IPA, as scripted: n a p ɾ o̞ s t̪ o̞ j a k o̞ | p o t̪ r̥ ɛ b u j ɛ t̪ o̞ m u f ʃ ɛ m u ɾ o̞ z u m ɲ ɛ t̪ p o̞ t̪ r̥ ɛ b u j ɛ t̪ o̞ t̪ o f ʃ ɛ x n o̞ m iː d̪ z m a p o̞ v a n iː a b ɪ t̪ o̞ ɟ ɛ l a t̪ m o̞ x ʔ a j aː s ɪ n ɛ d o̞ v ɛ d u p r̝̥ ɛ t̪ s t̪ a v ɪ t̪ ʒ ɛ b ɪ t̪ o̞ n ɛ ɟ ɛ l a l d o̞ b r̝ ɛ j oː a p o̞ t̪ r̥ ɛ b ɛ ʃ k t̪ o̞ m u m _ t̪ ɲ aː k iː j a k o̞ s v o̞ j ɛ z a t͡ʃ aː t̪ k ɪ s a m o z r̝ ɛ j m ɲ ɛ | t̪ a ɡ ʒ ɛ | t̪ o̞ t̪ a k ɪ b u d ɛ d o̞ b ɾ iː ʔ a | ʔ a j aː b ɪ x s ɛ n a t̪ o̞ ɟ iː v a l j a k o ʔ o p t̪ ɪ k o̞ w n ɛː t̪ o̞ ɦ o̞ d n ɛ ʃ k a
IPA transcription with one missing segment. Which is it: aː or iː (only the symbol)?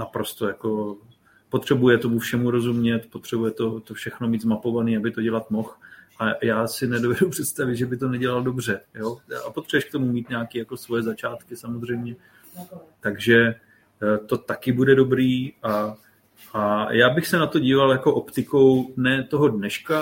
iː